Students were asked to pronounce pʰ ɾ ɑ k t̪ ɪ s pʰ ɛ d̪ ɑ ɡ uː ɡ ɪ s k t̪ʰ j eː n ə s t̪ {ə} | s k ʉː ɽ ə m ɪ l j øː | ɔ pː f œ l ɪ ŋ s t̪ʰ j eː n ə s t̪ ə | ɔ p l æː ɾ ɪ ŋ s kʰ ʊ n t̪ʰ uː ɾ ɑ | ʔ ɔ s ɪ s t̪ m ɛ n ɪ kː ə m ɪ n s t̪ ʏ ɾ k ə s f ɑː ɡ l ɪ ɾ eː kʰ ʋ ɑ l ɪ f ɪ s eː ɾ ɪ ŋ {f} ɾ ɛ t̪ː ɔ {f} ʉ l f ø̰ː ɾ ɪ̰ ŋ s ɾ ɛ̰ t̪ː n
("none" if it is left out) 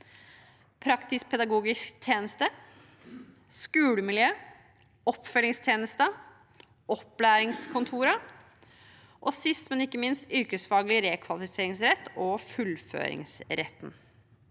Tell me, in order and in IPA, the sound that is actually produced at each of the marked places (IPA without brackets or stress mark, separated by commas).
ə, s, f